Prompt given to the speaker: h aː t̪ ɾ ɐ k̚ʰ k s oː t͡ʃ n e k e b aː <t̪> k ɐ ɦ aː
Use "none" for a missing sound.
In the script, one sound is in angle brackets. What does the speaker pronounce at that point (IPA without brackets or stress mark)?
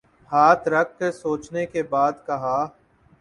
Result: d̪